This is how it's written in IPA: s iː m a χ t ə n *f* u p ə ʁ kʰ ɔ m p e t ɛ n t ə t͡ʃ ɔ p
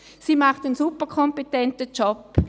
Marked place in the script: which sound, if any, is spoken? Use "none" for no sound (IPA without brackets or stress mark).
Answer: s